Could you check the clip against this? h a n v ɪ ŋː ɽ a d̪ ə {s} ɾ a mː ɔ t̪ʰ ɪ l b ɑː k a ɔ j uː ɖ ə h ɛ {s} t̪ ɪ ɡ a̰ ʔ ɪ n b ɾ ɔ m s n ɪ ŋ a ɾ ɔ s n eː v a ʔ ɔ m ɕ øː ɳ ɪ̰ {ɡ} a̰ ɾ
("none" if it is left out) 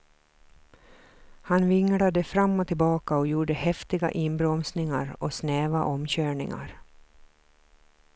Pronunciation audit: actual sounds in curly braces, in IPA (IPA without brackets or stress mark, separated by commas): f, f, ŋ